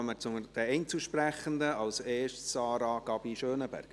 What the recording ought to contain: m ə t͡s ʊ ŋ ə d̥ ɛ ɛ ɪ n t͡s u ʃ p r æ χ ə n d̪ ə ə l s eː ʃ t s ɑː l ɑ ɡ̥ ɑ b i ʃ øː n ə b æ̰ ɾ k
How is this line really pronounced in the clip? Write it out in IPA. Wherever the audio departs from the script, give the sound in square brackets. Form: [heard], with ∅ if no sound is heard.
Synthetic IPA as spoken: m ə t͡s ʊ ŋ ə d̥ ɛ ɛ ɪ n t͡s u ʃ p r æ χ ə n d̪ ə [ɑ] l s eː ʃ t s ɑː [ɾ] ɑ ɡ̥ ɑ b i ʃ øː n ə b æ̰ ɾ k